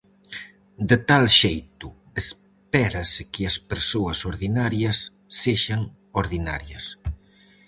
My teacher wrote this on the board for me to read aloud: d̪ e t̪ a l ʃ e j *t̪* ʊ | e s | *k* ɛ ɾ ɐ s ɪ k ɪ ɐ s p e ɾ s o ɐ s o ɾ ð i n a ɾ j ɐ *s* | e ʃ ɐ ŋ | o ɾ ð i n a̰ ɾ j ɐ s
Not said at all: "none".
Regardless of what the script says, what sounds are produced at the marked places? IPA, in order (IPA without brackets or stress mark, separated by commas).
t̪, p, sː